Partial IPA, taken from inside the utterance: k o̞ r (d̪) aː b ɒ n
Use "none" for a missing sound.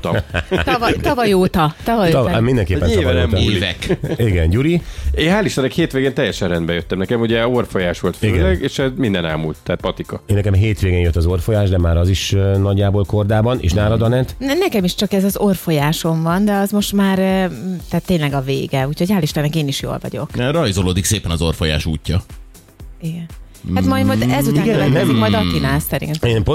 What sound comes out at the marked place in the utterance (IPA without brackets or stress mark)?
d̪